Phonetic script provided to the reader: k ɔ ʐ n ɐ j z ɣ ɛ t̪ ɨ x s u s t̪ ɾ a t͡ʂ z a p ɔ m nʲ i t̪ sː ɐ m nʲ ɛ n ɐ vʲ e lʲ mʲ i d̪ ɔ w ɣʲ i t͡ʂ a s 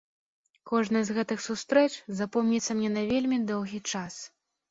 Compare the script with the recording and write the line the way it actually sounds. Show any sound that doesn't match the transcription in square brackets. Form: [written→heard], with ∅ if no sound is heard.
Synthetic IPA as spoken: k ɔ ʐ n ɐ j z ɣ ɛ t̪ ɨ x s u s t̪ ɾ [a→ɛ] t͡ʂ z a p ɔ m nʲ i t̪ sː ɐ m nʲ ɛ n ɐ vʲ e lʲ mʲ i d̪ ɔ w ɣʲ i t͡ʂ a s